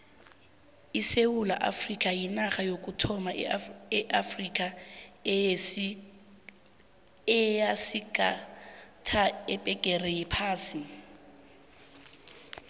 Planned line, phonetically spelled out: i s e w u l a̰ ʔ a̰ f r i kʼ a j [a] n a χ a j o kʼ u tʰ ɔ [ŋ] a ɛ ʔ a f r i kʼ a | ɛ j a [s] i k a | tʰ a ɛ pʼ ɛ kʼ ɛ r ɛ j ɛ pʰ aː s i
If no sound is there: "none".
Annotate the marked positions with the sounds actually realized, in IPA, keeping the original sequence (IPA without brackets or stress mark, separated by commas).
i, m, s